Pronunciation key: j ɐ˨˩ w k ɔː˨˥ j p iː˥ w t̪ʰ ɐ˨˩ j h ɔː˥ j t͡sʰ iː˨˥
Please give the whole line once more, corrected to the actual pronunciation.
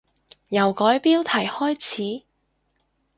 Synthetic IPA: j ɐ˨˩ w k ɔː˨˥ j p iː˥ w t̪ʰ ɐ˨˩ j h ɔː˥ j t͡sʰ iː˨˥